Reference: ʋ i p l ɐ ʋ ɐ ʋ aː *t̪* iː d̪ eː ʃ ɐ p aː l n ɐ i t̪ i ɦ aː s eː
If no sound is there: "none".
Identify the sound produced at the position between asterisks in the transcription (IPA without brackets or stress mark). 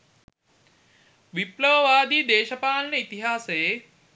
d̪